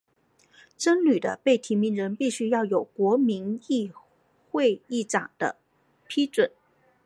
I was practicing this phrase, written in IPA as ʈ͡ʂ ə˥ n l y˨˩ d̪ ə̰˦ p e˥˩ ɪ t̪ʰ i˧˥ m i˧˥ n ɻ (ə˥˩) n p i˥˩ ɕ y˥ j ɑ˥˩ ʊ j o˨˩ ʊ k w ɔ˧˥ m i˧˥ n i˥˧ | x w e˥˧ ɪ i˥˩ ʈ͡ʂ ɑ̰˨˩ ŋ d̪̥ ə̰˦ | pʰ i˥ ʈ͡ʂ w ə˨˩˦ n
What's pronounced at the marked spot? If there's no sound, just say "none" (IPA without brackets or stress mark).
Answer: ə˧˥